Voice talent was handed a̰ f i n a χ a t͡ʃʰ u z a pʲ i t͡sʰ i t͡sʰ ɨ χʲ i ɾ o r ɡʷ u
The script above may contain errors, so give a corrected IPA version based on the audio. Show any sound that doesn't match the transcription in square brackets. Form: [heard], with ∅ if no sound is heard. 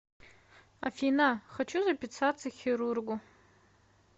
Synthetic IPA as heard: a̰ f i n a χ a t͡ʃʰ u z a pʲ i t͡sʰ [a] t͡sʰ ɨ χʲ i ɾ [u] r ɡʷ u